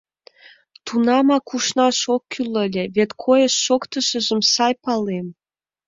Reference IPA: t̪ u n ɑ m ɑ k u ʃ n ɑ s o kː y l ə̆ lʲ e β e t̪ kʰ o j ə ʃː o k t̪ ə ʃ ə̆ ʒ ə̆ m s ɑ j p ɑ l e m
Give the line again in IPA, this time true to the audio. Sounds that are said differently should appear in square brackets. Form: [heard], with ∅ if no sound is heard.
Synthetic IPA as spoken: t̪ u n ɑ m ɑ k u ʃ n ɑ [ʃ] o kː y l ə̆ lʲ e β e t̪ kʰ o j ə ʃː o k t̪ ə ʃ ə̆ ʒ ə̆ m s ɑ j p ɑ l e m